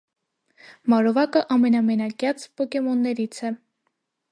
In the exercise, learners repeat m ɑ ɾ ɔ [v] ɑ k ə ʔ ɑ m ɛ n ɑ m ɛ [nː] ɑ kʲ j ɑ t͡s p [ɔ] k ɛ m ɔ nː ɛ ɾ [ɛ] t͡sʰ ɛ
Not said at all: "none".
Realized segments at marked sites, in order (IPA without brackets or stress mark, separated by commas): v, n, ɔ, i